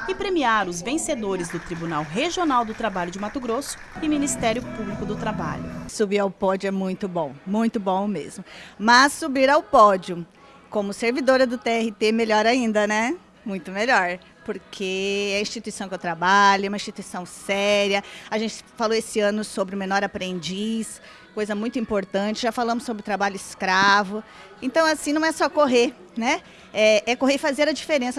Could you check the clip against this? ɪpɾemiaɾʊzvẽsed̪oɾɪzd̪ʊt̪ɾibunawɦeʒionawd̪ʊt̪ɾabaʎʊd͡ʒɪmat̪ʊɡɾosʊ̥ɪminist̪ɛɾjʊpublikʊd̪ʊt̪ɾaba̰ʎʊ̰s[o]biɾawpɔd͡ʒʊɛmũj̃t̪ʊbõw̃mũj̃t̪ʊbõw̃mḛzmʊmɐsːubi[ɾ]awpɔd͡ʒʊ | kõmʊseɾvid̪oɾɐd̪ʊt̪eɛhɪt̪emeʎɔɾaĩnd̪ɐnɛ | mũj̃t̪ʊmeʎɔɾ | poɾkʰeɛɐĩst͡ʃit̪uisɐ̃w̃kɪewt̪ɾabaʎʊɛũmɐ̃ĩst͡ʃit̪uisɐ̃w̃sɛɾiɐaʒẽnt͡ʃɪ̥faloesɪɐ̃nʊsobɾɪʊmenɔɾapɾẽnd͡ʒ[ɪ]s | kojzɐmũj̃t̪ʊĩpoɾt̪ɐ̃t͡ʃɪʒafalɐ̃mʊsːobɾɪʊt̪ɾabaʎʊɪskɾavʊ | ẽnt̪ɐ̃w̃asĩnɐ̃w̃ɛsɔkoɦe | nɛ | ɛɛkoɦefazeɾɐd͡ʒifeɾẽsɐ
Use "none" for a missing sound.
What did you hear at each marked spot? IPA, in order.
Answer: u, ɾ, i

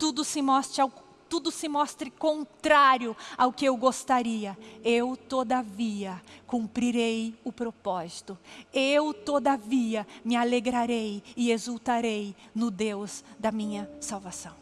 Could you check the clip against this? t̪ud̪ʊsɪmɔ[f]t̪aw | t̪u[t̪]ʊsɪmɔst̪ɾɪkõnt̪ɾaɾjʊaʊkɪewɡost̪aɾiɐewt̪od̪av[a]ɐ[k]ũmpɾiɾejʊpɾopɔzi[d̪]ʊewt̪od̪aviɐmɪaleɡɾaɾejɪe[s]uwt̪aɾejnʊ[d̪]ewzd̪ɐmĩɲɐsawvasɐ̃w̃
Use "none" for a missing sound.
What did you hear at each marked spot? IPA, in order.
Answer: s, d̪, i, k, t̪, z, d̪

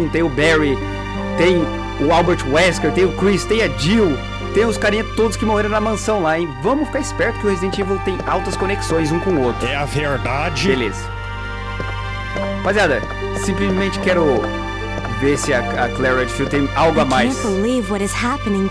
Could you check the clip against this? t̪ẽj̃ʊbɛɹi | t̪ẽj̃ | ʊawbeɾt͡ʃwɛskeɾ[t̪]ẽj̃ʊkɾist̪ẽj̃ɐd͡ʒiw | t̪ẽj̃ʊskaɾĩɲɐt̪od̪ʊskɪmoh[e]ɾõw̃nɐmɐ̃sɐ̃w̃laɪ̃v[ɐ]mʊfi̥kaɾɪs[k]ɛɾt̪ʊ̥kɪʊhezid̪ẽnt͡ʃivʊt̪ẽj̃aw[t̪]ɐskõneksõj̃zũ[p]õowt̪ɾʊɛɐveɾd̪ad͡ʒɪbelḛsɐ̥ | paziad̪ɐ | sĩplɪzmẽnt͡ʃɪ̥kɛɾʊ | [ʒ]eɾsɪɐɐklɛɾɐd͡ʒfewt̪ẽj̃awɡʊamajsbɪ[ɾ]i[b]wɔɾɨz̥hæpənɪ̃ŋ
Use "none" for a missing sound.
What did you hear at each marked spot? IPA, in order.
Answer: t̪, e, ɐ̃, p, t̪, k, v, l, v

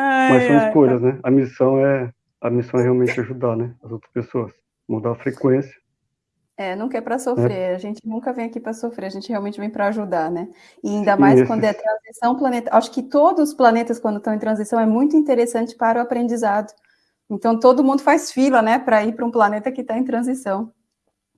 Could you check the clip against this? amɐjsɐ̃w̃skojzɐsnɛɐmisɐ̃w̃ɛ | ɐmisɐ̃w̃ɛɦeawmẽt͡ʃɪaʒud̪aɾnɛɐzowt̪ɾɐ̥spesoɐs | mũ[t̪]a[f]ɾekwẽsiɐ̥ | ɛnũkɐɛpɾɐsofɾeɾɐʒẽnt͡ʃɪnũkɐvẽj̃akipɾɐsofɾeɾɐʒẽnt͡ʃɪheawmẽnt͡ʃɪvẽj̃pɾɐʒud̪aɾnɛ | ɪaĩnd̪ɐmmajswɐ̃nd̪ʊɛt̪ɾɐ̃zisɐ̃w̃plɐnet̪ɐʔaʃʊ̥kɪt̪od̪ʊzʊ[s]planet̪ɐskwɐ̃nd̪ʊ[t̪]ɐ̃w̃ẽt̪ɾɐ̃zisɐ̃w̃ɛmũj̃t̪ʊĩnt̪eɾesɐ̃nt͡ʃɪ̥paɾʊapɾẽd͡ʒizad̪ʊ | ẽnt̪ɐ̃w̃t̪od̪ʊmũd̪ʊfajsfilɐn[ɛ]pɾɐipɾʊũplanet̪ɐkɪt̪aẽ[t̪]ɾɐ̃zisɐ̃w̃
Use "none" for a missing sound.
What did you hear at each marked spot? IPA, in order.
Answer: d̪, f, s, t̪, ɛ, t̪

